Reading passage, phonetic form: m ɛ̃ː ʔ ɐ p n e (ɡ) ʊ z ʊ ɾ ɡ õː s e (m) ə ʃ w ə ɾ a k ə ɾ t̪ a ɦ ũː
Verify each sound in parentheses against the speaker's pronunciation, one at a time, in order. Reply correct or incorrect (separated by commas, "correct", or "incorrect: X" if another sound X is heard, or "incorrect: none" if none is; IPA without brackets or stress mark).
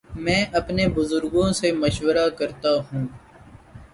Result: incorrect: b, correct